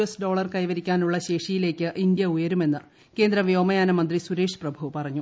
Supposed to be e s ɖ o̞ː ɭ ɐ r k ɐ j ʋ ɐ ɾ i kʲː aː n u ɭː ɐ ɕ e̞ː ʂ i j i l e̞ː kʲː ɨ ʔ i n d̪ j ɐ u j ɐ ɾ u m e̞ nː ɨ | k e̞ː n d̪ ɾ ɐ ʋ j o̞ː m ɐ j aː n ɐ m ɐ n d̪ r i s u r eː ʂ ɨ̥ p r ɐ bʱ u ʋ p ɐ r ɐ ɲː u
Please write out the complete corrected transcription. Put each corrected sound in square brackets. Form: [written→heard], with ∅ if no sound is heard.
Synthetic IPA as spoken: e s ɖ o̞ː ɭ ɐ r k ɐ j ʋ ɐ ɾ i kʲː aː n u ɭː ɐ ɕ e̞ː ʂ i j i l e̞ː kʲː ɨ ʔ i n d̪ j ɐ u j ɐ ɾ u m e̞ nː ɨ | k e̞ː n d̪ ɾ ɐ ʋ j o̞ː m ɐ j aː n ɐ m ɐ n d̪ r i s u [r→ɾ] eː ʂ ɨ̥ p r ɐ bʱ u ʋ p ɐ r ɐ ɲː u